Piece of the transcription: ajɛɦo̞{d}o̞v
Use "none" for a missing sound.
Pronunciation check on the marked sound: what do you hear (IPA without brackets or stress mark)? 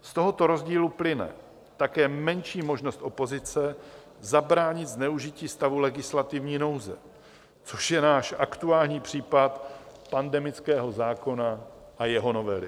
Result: n